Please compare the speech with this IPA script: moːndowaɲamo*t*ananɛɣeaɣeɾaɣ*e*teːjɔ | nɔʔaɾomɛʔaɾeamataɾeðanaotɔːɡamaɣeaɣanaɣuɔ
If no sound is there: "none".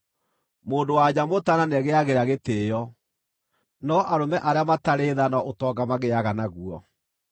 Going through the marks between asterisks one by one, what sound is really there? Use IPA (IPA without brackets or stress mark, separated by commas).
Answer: t, e